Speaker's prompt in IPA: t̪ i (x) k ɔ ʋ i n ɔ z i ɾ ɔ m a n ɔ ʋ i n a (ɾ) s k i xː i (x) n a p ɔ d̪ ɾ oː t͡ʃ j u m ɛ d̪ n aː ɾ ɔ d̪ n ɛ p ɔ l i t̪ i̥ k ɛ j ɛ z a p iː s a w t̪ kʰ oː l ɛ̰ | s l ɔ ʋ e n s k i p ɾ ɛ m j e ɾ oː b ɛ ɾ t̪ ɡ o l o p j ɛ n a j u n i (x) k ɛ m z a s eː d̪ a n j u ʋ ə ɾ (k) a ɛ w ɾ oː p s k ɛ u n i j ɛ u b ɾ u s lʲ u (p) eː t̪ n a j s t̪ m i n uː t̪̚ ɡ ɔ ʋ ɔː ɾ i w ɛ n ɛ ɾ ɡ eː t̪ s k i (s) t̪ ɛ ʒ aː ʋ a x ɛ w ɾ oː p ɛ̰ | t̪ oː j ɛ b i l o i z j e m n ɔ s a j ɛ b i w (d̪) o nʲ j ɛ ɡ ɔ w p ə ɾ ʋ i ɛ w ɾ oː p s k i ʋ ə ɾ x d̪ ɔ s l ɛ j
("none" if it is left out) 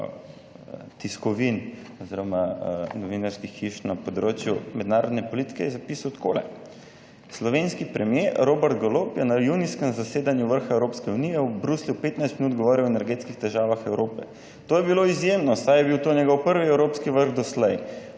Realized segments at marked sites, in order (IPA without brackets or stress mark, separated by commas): s, ɾ, ʃ, s, x, p, x, t̪